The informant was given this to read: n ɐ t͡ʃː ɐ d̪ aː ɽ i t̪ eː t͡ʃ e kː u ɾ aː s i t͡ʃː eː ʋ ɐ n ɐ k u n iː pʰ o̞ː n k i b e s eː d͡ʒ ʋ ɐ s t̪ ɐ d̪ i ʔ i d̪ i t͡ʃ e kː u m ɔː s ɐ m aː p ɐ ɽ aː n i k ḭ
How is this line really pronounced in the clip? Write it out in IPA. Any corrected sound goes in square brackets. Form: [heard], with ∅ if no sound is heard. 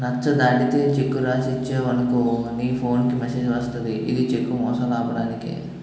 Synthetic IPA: n ɐ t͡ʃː ɐ d̪ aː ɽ i t̪ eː t͡ʃ e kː u ɾ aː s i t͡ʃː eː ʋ ɐ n ɐ k u n iː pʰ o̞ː n k i [m] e s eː d͡ʒ ʋ ɐ s t̪ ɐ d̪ i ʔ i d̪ i t͡ʃ e kː u m ɔː s ɐ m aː p ɐ ɽ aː n i k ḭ

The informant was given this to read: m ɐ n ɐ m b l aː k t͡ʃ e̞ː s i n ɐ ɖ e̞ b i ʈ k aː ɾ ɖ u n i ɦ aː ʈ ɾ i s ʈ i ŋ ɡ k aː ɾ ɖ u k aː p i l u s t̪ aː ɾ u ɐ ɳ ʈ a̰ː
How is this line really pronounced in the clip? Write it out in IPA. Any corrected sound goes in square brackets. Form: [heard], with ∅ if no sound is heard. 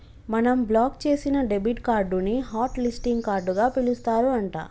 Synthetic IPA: m ɐ n ɐ m b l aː k t͡ʃ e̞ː s i n ɐ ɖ e̞ b i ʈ k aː ɾ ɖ u n i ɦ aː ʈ [l] i s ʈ i ŋ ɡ k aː ɾ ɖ u [ɡ] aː p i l u s t̪ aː ɾ u ɐ ɳ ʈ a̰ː

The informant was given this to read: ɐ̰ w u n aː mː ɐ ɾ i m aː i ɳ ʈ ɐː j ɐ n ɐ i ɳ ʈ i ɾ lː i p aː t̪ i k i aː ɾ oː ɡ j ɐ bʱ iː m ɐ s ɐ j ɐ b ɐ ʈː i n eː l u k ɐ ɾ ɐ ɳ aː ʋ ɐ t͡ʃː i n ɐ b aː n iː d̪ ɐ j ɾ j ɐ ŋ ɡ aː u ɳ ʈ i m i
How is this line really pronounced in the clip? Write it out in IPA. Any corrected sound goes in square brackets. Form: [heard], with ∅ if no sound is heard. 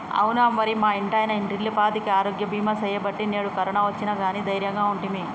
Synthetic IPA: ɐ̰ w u n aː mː ɐ ɾ i m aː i ɳ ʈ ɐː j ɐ n ɐ i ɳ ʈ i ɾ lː i p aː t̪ i k i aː ɾ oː ɡ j ɐ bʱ iː m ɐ s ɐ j ɐ b ɐ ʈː i n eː [ɽ] u k ɐ ɾ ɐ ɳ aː ʋ ɐ t͡ʃː i n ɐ [ɡ] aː n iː d̪ ɐ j ɾ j ɐ ŋ ɡ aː u ɳ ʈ i m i

